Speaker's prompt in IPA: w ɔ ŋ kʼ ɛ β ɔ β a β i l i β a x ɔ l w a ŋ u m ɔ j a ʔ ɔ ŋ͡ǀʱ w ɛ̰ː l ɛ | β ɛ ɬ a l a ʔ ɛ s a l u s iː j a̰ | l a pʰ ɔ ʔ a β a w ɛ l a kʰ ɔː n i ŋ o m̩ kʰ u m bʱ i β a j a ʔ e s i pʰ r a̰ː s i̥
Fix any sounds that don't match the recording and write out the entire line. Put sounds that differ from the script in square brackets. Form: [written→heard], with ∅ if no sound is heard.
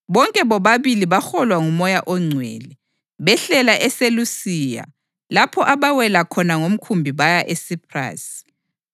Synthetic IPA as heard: [w→β] ɔ ŋ kʼ ɛ β ɔ β a β i l i β a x ɔ l w a ŋ u m ɔ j a ʔ ɔ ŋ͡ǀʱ w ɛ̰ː l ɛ | β ɛ ɬ [a→ɛ] l a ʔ ɛ s [a→e] l u s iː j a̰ | l a pʰ ɔ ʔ a β a w ɛ l a kʰ [ɔː→ɔ] n [i→a] ŋ o m̩ kʰ u m bʱ i β a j a ʔ e s i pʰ r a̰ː s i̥